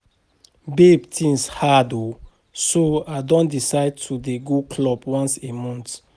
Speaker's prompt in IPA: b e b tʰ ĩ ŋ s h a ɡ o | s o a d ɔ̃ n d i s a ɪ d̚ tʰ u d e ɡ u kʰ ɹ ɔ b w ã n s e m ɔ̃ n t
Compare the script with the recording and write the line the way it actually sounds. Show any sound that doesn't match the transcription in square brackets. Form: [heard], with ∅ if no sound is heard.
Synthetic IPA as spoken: b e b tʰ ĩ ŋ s h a [d] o | s o a d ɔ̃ n d i s a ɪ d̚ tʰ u d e ɡ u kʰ [l] ɔ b w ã n s e m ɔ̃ n t